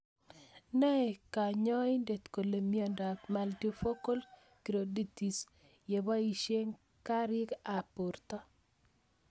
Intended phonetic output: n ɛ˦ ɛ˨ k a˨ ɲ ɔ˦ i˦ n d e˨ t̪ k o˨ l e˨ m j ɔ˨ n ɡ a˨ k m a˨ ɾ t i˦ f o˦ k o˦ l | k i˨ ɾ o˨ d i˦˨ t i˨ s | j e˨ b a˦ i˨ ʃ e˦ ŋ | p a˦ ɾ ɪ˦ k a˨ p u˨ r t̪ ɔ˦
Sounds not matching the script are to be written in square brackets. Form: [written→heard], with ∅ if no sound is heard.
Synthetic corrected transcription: n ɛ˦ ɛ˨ k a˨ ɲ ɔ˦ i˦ n d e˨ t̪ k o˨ l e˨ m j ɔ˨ n [ɡ→d] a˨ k m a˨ [ɾ→l] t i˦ f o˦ k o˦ l | k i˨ ɾ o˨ d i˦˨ t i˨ s | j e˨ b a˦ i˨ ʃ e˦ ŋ | [p→k] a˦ ɾ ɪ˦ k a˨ p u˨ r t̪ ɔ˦